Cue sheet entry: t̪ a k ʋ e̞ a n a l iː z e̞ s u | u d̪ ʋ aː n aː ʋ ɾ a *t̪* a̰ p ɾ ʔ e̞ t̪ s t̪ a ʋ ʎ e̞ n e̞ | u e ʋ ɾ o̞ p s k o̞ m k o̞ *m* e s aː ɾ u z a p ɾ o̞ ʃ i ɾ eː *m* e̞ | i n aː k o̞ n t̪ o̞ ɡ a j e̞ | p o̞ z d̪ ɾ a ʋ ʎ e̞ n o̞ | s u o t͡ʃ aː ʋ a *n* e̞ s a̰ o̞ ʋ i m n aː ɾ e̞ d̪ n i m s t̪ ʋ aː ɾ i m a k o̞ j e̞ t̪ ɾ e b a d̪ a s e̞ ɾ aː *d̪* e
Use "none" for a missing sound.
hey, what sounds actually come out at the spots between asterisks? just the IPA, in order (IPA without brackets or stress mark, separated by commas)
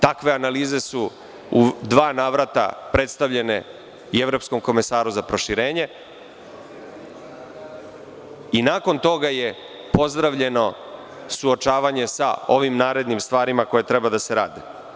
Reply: t̪, m, ɲ, ɲ, d̪